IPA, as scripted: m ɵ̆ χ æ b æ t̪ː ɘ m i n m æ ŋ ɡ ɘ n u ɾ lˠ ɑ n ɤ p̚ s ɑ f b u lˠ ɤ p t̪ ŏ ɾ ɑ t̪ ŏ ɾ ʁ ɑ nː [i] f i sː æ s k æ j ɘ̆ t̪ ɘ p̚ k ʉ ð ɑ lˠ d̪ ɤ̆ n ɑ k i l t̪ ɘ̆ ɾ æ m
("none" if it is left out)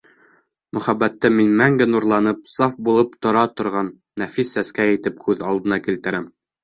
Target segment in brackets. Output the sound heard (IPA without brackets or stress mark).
æ